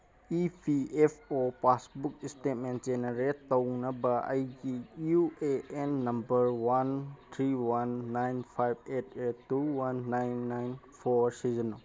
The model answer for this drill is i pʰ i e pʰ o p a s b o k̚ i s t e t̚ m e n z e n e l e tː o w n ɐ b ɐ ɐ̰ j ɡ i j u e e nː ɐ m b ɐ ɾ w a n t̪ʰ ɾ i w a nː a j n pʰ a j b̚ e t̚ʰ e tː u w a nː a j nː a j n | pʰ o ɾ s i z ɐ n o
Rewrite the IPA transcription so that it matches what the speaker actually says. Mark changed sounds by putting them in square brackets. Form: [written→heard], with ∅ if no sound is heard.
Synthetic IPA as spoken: i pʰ i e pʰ o p a s b [o→u] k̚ i s t e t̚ m e n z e n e [l→ɾ] e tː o w n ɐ b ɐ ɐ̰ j ɡ i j u e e nː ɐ m b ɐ ɾ w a n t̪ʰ ɾ i w a nː a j n pʰ a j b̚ e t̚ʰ e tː u w a nː a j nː a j n | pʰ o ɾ s i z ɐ n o